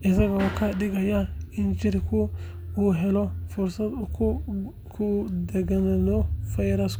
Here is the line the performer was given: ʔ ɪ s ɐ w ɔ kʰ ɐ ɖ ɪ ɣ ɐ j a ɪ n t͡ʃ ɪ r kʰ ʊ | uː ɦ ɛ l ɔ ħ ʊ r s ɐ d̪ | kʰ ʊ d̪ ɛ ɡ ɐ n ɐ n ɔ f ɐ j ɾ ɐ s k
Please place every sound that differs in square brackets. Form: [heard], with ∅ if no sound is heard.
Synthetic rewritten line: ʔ ɪ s ɐ [ɣ] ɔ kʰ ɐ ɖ ɪ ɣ ɐ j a ɪ n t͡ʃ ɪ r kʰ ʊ | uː ɦ ɛ l ɔ [f] ʊ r s ɐ d̪ | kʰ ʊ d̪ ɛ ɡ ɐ n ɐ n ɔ f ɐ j ɾ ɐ s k